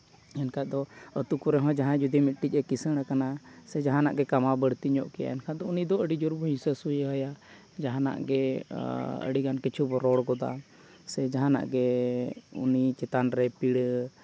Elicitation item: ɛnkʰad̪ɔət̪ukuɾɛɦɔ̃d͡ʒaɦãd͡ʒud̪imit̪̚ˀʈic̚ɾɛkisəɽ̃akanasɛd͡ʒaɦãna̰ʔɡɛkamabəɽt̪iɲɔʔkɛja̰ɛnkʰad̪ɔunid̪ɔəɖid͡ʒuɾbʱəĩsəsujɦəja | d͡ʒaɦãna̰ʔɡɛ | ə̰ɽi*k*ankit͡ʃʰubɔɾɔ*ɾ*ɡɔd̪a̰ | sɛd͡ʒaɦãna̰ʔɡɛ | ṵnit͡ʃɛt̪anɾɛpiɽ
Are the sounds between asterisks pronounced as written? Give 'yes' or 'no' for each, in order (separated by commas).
no, no